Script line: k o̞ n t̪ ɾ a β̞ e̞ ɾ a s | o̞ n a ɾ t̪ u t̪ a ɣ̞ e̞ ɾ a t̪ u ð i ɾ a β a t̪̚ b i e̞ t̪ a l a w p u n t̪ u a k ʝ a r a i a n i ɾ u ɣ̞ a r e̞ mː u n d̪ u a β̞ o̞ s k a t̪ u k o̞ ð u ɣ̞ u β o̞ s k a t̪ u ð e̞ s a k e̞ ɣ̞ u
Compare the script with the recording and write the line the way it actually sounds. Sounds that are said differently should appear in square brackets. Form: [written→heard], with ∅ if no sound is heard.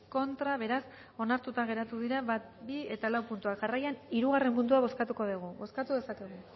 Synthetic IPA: k o̞ n t̪ ɾ a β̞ e̞ ɾ a s | o̞ n a ɾ t̪ u t̪ a ɣ̞ e̞ ɾ a t̪ u ð i ɾ a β a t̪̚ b i e̞ t̪ a l a w p u n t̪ u a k ʝ a r a [i→j] a n i ɾ u ɣ̞ a r e̞ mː u n d̪ u a β̞ o̞ s k a t̪ u k o̞ ð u ɣ̞ u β o̞ s k a t̪ u ð e̞ s a k e̞ ɣ̞ u